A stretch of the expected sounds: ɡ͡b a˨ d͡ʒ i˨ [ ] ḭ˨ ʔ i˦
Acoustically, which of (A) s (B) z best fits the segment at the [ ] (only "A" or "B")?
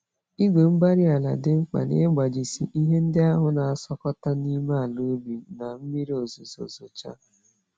A